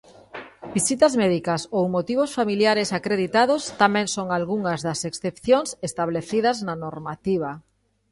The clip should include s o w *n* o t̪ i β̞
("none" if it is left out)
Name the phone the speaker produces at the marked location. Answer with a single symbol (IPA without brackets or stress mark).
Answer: m